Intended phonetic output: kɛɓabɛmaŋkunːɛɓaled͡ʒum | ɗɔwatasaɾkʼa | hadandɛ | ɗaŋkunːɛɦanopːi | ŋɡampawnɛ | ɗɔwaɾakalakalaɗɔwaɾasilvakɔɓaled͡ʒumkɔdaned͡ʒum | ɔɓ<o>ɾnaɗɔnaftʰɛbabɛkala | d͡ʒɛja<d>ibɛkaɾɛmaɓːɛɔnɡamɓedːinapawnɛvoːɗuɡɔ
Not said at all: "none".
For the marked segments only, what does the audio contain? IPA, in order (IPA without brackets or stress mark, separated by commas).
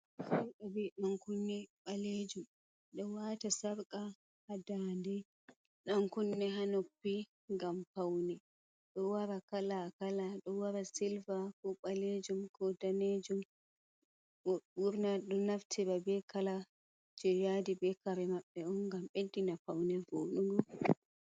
u, d